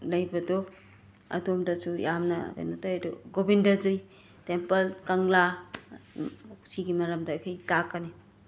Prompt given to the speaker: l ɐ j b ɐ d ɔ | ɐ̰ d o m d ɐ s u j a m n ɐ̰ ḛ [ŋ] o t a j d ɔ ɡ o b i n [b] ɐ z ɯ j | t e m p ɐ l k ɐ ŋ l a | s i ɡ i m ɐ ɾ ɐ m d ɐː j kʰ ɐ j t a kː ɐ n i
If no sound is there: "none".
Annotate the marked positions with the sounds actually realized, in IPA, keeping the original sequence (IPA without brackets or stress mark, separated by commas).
n, d